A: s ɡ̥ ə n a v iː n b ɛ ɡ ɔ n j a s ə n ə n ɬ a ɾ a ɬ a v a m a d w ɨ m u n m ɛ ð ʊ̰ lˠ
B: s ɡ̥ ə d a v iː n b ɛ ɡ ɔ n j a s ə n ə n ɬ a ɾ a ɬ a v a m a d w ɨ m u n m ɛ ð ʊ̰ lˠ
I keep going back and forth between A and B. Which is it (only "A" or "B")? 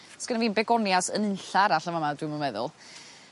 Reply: A